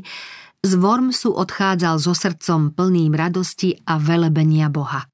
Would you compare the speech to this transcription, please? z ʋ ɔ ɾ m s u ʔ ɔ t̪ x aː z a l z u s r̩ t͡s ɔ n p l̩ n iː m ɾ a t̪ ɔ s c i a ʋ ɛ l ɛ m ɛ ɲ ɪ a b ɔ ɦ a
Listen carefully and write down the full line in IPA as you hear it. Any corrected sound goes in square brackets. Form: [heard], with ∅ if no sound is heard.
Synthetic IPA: z ʋ ɔ ɾ m s u ʔ ɔ t̪ x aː [d͡z] a l z [ɔ] s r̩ t͡s ɔ [m] p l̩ n iː m ɾ a [d̪] ɔ s c i a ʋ ɛ l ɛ [b] ɛ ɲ ɪ a b ɔ ɦ a